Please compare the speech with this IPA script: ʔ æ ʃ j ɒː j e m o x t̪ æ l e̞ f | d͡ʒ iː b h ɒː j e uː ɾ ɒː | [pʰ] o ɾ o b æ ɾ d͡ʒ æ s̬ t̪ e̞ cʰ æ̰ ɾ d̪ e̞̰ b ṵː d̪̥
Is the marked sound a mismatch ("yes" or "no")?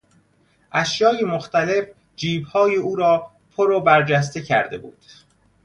no